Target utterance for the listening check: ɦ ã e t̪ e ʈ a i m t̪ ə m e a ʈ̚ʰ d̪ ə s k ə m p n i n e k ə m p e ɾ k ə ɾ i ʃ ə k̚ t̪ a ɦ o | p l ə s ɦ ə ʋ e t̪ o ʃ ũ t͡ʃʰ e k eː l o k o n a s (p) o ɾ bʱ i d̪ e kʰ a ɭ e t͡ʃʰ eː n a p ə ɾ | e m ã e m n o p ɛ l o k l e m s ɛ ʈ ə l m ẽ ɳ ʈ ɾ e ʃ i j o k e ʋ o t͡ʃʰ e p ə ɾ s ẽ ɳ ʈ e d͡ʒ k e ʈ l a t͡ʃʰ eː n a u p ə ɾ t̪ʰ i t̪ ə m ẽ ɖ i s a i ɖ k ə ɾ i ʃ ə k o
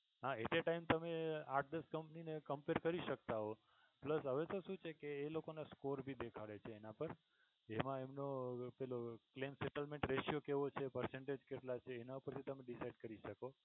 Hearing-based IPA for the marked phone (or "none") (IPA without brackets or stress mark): k